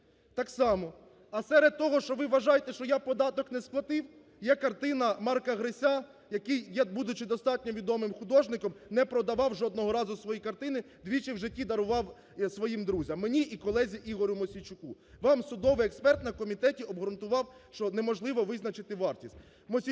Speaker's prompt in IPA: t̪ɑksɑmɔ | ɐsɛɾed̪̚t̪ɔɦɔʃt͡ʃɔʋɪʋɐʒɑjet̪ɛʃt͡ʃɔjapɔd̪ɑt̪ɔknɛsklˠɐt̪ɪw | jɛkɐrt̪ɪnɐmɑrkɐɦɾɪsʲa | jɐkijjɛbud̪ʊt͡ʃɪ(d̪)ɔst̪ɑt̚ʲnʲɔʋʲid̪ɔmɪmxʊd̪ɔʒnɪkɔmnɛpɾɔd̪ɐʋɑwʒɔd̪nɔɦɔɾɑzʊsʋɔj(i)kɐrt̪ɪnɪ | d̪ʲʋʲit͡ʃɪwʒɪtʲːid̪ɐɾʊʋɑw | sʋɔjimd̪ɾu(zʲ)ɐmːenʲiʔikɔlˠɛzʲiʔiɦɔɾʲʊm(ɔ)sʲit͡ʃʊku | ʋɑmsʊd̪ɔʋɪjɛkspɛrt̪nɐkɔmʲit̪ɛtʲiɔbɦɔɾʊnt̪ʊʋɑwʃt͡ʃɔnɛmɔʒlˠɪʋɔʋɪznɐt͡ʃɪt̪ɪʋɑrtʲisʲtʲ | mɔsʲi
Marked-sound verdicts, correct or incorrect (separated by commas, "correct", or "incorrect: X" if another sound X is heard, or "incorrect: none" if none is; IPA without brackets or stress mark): correct, correct, correct, correct